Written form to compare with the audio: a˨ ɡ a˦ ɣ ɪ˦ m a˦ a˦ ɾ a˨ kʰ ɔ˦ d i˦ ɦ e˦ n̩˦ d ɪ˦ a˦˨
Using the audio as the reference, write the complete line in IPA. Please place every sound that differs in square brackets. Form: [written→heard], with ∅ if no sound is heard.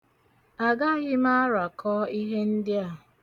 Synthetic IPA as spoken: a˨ ɡ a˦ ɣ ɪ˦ m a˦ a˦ ɾ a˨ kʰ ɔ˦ [d→∅] i˦ ɦ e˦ n̩˦ d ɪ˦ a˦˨